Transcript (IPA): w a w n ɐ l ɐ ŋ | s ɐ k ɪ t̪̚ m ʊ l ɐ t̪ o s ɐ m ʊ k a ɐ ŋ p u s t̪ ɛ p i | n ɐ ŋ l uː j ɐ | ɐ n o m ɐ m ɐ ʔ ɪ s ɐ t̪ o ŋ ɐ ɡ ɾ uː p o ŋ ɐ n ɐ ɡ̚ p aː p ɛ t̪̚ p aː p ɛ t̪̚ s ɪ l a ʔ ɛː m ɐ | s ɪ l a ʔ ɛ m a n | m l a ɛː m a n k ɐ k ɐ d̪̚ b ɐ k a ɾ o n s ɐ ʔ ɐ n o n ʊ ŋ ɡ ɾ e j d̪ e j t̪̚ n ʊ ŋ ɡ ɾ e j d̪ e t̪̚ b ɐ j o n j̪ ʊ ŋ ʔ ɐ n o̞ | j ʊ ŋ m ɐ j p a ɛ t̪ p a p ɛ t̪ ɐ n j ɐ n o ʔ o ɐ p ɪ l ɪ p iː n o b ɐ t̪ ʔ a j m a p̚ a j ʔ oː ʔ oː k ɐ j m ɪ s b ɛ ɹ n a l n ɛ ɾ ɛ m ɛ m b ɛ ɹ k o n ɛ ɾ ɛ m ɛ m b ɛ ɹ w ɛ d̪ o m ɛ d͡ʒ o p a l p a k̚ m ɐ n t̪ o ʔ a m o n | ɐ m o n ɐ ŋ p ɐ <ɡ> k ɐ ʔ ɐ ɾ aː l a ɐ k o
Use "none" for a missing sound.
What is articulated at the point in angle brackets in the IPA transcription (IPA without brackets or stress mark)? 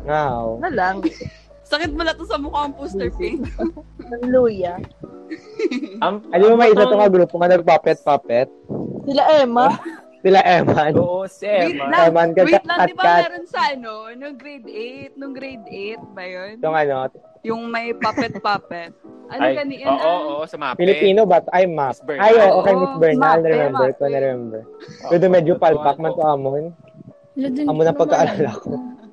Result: ɡ